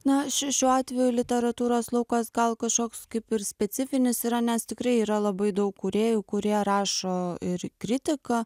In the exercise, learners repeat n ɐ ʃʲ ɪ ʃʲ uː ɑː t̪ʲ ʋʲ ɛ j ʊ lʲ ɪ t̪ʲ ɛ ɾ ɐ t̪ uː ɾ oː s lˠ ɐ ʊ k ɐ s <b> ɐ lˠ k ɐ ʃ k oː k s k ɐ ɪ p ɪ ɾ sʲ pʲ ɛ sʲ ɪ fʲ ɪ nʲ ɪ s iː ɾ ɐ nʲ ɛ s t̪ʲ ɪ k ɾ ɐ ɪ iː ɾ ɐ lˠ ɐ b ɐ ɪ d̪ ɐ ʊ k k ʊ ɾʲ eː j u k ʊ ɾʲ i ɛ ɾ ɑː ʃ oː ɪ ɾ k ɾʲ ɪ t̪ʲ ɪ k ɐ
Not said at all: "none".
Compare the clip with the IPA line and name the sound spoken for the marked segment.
ɡ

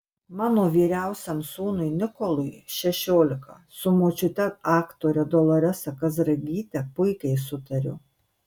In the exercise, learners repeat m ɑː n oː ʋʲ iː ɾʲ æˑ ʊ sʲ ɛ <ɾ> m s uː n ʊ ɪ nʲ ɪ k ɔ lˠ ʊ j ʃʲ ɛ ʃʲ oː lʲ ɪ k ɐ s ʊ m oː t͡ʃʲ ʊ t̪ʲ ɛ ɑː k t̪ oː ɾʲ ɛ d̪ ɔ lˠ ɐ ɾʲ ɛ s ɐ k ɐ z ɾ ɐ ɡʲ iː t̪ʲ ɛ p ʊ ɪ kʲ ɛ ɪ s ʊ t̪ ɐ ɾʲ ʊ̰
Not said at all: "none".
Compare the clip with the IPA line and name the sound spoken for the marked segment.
none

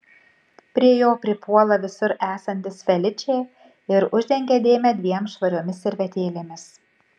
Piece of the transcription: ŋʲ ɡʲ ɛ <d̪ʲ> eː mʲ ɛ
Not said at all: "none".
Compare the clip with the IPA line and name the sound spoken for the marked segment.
d̪ʲ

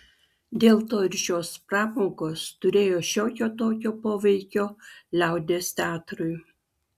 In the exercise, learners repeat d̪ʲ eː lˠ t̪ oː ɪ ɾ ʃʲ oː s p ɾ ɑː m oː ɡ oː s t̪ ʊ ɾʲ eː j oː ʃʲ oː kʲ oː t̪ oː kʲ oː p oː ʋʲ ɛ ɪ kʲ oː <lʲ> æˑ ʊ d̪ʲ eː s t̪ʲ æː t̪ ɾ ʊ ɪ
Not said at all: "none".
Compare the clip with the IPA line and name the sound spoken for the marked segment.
lʲ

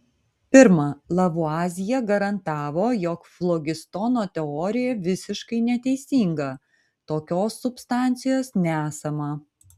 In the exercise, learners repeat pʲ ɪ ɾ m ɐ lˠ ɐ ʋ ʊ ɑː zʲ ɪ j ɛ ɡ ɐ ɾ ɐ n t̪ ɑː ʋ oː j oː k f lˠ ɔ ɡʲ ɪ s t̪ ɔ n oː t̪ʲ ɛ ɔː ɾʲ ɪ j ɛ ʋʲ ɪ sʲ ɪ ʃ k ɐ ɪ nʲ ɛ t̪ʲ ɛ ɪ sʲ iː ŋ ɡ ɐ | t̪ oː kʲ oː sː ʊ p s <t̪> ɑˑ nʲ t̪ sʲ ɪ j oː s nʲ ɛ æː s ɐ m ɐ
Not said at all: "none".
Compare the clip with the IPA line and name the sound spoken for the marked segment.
t̪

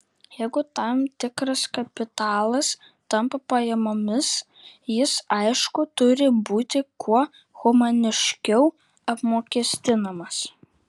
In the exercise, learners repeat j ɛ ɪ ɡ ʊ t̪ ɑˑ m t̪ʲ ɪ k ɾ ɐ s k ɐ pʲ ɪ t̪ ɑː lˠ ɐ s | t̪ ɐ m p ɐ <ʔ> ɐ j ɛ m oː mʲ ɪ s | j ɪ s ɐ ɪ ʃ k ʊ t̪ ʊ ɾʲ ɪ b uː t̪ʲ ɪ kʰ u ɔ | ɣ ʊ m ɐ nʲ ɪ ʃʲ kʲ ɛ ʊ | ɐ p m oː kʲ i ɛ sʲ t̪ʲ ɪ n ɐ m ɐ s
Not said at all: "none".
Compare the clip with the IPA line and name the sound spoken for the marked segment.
p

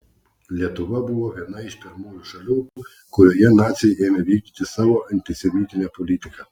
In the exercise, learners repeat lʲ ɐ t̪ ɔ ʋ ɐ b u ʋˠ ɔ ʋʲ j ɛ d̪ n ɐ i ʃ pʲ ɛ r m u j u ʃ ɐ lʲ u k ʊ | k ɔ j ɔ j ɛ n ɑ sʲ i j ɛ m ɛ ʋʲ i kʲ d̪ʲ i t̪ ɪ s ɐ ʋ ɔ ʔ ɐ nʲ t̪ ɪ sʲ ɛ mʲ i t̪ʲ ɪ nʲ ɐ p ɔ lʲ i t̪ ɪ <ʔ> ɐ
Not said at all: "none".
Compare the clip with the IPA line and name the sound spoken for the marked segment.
k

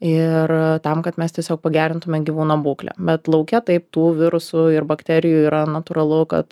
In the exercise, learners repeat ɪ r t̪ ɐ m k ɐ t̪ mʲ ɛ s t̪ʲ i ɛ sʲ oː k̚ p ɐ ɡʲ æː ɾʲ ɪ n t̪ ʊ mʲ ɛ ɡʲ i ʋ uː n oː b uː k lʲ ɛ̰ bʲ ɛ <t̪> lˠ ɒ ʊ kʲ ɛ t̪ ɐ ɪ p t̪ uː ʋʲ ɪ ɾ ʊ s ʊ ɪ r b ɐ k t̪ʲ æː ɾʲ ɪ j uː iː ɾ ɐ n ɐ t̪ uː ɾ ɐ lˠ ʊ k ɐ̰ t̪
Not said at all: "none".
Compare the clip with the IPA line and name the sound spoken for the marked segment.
t̪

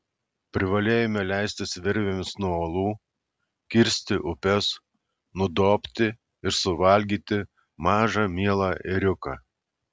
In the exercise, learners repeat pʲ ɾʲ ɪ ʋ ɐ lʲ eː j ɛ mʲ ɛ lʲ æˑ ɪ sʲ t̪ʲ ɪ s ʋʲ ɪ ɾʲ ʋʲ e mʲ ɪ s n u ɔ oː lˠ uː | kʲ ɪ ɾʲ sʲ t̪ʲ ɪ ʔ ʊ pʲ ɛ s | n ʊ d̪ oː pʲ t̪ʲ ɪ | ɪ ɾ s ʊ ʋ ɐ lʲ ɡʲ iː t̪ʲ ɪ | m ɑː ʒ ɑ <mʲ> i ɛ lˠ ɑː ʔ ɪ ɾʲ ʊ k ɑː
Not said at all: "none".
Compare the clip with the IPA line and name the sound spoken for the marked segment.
mʲ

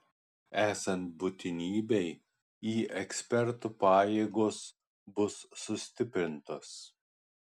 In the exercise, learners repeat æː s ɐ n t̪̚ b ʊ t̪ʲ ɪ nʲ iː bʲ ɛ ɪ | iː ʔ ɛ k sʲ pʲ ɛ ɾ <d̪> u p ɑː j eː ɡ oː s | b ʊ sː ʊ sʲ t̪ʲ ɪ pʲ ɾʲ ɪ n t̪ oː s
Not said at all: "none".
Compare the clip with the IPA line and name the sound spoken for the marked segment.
t̪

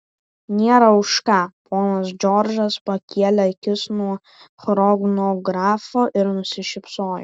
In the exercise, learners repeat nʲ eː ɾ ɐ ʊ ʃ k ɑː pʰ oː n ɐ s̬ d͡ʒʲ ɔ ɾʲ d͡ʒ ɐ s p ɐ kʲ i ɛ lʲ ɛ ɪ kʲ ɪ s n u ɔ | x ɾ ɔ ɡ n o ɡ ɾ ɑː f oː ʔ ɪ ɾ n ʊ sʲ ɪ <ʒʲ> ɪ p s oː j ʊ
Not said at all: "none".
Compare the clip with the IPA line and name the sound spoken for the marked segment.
ʃʲ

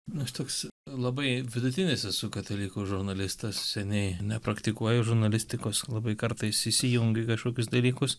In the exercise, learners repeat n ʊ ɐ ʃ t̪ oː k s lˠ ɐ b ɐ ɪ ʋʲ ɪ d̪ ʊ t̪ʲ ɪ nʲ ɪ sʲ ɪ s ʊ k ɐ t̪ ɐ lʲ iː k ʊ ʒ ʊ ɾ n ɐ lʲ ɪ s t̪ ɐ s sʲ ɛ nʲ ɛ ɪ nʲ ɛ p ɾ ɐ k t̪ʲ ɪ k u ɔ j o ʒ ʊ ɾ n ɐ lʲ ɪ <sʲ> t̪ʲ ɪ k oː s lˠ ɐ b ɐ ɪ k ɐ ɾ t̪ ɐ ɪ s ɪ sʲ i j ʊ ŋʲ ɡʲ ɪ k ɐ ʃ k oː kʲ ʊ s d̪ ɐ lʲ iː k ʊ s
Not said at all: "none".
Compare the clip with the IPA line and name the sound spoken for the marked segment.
sʲ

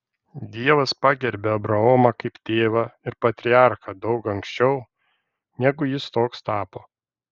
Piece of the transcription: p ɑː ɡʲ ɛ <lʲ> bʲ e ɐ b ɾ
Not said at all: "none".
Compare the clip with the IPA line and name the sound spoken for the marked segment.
ɾʲ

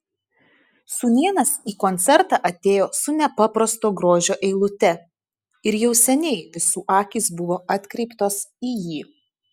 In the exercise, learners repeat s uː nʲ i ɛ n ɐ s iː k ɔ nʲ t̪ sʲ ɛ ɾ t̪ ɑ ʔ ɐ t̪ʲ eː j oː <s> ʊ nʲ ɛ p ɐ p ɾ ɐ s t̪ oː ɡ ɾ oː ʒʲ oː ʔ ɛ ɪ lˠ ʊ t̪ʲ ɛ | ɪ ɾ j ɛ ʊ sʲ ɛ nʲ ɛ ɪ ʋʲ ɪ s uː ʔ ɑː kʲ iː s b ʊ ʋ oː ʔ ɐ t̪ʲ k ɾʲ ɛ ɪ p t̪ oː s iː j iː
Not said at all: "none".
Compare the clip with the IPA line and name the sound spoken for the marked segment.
s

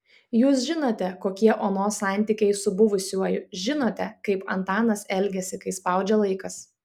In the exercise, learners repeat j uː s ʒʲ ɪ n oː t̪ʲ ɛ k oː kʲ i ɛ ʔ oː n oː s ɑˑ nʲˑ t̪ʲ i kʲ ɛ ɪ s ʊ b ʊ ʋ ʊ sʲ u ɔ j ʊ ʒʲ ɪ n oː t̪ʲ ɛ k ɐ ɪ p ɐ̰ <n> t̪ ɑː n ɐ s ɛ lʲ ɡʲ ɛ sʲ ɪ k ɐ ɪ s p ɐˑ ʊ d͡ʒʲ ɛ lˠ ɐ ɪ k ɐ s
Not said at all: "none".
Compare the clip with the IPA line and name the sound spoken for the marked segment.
n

